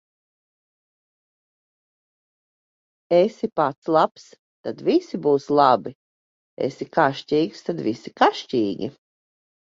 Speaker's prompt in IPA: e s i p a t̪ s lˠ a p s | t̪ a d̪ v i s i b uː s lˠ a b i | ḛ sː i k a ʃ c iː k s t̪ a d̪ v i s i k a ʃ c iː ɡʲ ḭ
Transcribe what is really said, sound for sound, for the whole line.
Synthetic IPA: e s i p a t̪ s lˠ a p s | t̪ a d̪ v i s i b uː s lˠ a b i | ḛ s i k a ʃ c iː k s t̪ a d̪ v i s i k a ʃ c iː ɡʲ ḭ